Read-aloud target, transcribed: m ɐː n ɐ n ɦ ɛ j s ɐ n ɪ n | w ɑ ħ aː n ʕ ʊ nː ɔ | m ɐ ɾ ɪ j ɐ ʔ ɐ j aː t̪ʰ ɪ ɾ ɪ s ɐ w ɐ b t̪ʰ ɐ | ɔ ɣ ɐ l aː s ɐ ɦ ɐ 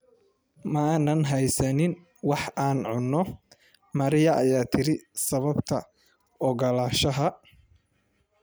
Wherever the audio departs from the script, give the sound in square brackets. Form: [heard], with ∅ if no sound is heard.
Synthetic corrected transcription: m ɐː n ɐ n ɦ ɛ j s ɐ n ɪ n | w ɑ ħ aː n ʕ ʊ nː ɔ | m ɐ ɾ ɪ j ɐ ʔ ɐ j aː t̪ʰ ɪ ɾ ɪ s ɐ [β] ɐ b t̪ʰ ɐ | ɔ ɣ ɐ l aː [ʃ] ɐ ɦ ɐ